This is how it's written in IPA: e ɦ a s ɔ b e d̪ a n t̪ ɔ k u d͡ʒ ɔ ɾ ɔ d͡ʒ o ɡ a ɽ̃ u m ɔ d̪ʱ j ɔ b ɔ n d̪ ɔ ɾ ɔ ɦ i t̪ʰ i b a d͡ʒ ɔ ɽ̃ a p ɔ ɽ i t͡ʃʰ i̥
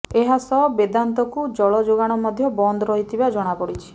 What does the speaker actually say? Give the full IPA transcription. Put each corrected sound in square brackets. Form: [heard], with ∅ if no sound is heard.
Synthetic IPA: e ɦ a s ɔ b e d̪ a n t̪ ɔ k u d͡ʒ ɔ [ɭ] ɔ d͡ʒ o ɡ a ɽ̃ [ɔ] m ɔ d̪ʱ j ɔ b ɔ n d̪ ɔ ɾ ɔ ɦ i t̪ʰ i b a d͡ʒ ɔ ɽ̃ a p ɔ ɽ i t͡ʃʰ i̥